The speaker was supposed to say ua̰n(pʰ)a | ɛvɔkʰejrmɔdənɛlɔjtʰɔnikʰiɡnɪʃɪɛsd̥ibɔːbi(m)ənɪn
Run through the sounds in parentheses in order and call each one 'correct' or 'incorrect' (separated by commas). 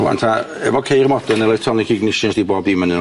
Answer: incorrect, correct